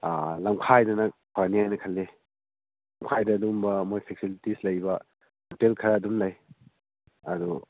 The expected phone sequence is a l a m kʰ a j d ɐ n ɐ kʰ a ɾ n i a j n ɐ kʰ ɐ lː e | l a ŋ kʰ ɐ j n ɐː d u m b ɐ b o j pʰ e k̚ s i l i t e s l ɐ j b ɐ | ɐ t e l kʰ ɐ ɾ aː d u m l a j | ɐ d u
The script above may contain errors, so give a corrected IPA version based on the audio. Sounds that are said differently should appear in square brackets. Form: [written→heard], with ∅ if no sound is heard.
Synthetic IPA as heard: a l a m kʰ a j d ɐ n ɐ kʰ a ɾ n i a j n ɐ kʰ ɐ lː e | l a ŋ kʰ [ɐ→a] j [n→d] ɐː d u m b ɐ [b→m] o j pʰ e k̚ s i l i t [e→i] s l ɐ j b ɐ | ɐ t e l kʰ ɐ ɾ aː d u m l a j | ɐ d u